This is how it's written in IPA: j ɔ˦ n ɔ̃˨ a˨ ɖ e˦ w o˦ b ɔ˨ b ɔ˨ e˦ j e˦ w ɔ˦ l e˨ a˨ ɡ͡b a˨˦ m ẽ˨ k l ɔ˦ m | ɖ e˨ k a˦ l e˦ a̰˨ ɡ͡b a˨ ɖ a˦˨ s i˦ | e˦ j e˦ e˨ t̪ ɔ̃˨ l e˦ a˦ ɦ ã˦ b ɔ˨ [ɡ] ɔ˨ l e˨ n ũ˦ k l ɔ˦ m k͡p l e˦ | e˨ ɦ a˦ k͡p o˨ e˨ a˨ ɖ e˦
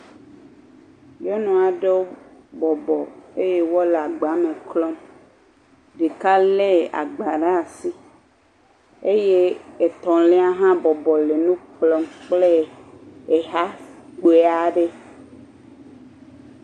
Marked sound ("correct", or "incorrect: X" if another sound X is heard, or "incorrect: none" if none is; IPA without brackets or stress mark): incorrect: b